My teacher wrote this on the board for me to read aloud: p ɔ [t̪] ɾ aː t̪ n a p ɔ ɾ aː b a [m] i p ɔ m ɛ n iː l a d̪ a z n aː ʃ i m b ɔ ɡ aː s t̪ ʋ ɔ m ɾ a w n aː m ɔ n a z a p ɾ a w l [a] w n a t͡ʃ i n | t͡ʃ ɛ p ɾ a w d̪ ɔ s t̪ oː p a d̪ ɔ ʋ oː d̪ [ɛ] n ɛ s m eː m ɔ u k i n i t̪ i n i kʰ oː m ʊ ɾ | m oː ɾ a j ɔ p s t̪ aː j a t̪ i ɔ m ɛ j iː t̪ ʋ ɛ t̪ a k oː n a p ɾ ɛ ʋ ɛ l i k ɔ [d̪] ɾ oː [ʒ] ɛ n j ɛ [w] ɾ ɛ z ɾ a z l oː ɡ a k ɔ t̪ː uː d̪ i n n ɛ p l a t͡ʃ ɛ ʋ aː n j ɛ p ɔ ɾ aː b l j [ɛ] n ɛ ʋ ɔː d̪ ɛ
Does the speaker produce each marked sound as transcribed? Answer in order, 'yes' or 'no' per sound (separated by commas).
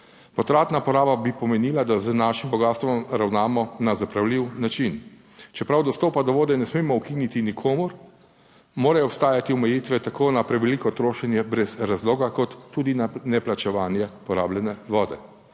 yes, no, no, yes, no, no, no, yes